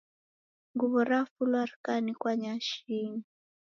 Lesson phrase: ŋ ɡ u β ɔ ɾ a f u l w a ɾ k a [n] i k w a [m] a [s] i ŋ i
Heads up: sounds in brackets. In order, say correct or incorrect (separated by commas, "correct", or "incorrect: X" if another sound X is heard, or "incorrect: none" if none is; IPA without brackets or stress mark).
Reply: correct, incorrect: ɲ, incorrect: ʃ